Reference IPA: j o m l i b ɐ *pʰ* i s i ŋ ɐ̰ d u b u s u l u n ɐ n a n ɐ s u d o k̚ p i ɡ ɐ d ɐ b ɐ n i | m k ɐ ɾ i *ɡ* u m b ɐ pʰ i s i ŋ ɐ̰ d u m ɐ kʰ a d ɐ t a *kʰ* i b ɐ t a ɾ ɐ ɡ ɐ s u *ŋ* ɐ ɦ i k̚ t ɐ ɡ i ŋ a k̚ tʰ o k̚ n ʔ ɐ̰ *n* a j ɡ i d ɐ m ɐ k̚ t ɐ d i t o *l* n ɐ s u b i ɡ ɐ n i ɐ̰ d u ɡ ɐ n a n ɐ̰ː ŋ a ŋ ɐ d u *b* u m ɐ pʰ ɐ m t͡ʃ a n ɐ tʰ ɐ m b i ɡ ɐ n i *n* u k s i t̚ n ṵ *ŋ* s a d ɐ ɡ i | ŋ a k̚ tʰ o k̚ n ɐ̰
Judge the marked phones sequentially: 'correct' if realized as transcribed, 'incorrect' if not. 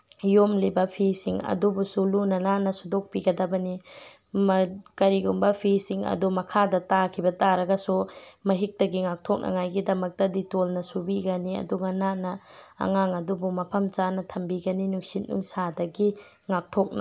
correct, correct, correct, incorrect: m, incorrect: ŋ, correct, correct, correct, correct

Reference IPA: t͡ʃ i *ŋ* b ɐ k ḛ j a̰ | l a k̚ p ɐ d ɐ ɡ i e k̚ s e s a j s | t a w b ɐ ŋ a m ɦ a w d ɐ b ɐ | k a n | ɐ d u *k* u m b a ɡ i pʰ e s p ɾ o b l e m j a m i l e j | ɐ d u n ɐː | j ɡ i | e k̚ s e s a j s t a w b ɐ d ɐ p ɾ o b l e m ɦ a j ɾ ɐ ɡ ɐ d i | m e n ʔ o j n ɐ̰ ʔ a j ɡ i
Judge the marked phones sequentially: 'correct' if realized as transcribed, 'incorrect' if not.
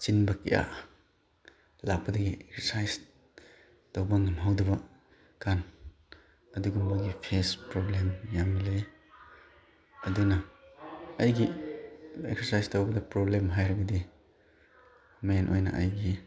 incorrect: n, incorrect: ɡ

